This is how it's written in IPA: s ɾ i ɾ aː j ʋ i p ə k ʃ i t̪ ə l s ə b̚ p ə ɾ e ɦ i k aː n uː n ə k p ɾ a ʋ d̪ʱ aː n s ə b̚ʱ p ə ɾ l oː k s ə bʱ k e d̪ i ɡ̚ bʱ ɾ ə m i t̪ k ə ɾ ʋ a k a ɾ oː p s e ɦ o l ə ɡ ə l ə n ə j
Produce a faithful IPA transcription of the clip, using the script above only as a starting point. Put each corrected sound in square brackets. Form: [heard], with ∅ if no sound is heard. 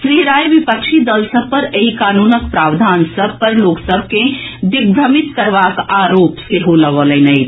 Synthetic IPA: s ɾ i ɾ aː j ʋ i p ə k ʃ i [d̪] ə l s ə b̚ p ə ɾ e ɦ i k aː n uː n ə k p ɾ a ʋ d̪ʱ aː n s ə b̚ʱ p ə ɾ l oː k s ə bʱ k e d̪ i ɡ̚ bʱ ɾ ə m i t̪ k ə ɾ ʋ a k a ɾ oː p s e ɦ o l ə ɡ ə l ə n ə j